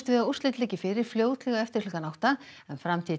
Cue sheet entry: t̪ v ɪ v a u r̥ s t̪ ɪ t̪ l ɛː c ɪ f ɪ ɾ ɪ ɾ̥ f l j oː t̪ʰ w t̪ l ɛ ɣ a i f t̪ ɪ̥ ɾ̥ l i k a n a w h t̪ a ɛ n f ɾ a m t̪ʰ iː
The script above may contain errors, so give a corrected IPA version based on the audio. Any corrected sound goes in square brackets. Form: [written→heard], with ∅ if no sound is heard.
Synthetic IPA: t̪ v ɪ [v→ð] a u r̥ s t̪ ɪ t̪ l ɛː c ɪ f ɪ ɾ ɪ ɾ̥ f l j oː [t̪ʰ→∅] w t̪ l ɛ ɣ a [i→ɛ] f t̪ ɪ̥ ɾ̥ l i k a n a w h t̪ a ɛ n f ɾ a m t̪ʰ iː

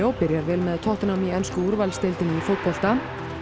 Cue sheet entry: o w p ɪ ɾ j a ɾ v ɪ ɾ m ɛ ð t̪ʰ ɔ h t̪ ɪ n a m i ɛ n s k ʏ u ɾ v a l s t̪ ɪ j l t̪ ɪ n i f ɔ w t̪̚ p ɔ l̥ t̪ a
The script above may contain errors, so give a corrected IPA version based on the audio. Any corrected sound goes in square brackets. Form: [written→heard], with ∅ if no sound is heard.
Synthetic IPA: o w p ɪ ɾ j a ɾ v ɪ [ɾ→l] m ɛ ð t̪ʰ ɔ h t̪ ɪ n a m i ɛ n s k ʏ u ɾ v a l s t̪ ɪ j l t̪ ɪ n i f [ɔ→o] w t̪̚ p ɔ l̥ t̪ a

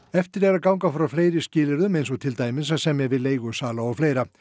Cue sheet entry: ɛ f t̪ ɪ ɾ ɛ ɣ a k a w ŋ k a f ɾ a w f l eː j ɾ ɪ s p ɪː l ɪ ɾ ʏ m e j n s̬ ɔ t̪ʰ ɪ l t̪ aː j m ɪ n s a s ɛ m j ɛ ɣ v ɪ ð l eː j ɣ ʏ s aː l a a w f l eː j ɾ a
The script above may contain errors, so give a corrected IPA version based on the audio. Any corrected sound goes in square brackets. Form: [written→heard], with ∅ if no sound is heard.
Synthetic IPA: ɛ f t̪ ɪ ɾ ɛ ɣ a k a w ŋ k a f ɾ a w f l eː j ɾ ɪ s [p→c] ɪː l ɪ ɾ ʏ m e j n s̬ ɔ t̪ʰ ɪ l t̪ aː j m ɪ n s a s ɛ m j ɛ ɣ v ɪ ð l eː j ɣ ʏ s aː l a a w f l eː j ɾ a

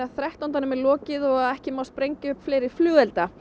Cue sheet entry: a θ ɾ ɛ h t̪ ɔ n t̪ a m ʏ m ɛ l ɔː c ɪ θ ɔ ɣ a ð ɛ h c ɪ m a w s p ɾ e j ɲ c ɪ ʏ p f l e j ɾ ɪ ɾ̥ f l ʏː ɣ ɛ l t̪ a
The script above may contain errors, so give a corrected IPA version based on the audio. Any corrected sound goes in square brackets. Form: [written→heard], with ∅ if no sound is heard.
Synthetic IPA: a θ ɾ ɛ h t̪ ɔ n t̪ a [m→n] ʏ m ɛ l ɔː c ɪ [θ→ð] ɔ ɣ a ð ɛ h c ɪ m a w s p ɾ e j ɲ c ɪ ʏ p f l e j ɾ ɪ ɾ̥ f l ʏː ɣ ɛ l t̪ a

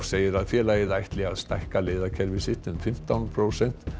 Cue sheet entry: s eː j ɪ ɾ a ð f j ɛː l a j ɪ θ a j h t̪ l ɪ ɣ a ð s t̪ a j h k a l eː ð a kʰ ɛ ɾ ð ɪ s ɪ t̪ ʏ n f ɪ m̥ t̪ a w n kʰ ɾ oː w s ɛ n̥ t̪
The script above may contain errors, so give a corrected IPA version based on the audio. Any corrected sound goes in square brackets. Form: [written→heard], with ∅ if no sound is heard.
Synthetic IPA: s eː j ɪ ɾ a ð f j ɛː l a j ɪ [θ→ð] a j h t̪ l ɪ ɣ a ð s t̪ a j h k a l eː ð a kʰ ɛ ɾ [ð→v] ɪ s ɪ t̪ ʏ n f ɪ m̥ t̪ a w n [kʰ→pʰ] ɾ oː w s ɛ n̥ t̪

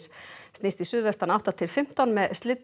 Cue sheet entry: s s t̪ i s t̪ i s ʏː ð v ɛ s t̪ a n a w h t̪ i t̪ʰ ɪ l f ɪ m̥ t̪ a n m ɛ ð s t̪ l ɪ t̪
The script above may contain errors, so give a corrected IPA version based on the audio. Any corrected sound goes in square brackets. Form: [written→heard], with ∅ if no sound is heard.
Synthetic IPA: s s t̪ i s t̪ i s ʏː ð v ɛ s t̪ a n a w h t̪ [i→a] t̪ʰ ɪ l f ɪ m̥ t̪ a n m ɛ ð s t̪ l ɪ t̪

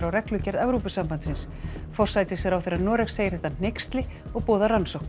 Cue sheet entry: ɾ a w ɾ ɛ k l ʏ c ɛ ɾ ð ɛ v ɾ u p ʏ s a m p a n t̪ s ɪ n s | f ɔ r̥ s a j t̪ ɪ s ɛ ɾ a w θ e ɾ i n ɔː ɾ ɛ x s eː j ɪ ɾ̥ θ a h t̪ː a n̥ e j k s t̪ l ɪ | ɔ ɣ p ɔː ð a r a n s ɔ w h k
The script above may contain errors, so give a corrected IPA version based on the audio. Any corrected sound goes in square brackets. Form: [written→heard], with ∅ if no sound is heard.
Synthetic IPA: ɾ a w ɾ ɛ k l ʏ c ɛ ɾ ð ɛ v ɾ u p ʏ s a m p a n t̪ s ɪ n s | f ɔ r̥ s a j t̪ ɪ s ɛ ɾ a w θ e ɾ [i→a] n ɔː ɾ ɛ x s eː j ɪ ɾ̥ θ [a→ɛ] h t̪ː a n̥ e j k s t̪ l ɪ | ɔ ɣ p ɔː ð a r a n s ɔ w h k

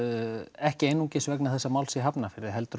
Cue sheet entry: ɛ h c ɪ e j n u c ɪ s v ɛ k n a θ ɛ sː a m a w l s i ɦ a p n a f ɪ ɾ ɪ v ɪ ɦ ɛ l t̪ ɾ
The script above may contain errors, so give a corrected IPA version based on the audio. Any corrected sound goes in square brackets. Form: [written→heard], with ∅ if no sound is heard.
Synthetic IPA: ɛ h c ɪ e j n u c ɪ s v ɛ k n a θ ɛ sː a m a w l s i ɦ a p n a f ɪ ɾ ɪ [v→ð] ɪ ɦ ɛ l t̪ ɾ

